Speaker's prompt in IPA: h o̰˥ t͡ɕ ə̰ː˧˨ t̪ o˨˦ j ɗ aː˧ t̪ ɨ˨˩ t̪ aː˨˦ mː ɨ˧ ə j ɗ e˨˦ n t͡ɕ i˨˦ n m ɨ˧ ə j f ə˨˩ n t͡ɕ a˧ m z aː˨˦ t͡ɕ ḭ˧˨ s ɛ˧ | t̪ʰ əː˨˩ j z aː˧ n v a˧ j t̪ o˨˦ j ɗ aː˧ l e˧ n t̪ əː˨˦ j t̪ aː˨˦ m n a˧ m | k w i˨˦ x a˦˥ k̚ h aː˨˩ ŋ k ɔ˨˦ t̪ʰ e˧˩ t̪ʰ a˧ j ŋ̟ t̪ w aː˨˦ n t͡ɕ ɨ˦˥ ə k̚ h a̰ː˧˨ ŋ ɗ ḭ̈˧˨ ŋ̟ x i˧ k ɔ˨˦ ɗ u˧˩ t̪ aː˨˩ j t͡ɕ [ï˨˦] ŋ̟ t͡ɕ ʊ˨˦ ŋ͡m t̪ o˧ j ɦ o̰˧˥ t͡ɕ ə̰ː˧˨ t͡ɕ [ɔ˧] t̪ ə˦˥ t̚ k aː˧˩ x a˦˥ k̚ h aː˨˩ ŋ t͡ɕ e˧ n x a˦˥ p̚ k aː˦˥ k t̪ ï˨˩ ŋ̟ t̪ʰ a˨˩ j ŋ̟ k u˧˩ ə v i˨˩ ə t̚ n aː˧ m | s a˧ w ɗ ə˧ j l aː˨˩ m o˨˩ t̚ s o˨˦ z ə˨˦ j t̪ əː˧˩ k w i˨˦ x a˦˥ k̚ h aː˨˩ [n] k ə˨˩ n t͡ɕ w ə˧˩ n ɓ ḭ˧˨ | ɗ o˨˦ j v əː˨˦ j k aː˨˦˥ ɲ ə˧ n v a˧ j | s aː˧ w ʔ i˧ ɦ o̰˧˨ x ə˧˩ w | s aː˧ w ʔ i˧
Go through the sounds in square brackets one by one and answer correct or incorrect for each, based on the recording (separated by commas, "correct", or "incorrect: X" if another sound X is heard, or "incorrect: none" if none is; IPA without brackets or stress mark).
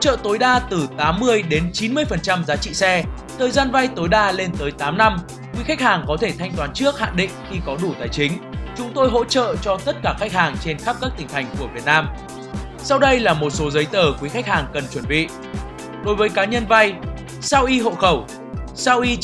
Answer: correct, correct, incorrect: ŋ